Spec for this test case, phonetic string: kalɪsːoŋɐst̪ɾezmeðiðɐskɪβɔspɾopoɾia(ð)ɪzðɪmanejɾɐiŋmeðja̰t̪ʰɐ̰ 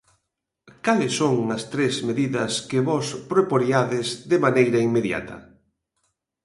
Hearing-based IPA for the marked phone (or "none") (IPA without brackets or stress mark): ð